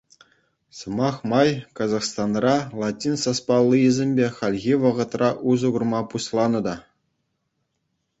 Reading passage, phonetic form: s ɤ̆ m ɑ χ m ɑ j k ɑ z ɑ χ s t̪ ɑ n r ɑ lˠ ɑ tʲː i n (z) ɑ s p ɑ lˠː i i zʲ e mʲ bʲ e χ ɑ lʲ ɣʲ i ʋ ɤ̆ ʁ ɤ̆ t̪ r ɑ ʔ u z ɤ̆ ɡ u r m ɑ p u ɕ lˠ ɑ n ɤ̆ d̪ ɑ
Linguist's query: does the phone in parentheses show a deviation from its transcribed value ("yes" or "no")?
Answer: yes